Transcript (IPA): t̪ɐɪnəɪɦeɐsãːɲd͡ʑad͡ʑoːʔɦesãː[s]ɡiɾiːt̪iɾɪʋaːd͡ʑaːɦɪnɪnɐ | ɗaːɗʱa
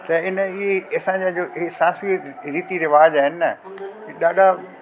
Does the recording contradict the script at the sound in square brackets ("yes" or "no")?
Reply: no